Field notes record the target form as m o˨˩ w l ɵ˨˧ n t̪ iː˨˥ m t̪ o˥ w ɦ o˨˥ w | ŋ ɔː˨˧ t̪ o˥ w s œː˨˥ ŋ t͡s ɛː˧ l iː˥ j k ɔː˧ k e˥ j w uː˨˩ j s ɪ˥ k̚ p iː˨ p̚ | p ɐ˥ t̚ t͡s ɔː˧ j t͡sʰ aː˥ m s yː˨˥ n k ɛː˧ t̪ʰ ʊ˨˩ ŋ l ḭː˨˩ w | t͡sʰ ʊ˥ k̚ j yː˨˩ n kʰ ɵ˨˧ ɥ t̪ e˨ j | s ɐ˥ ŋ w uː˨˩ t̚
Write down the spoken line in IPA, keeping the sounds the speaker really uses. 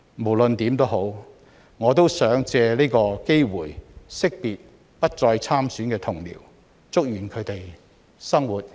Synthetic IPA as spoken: m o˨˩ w l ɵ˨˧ n t̪ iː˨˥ m t̪ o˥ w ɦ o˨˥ w | ŋ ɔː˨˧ t̪ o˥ w s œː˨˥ ŋ t͡s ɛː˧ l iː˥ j k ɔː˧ k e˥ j w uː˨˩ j s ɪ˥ k̚ p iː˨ t̚ | p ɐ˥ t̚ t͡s ɔː˧ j t͡sʰ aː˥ m s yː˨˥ n k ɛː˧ t̪ʰ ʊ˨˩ ŋ l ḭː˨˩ w | t͡s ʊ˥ k̚ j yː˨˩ n kʰ ɵ˨˧ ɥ t̪ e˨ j | s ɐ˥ ŋ w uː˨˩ t̚